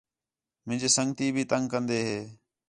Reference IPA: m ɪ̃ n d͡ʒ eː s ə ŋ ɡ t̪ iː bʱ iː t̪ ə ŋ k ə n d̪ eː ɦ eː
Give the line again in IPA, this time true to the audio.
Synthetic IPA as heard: m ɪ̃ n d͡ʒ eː s ə ŋ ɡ t̪ iː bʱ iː t̪ ə ŋ k ə n d̪ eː ɦ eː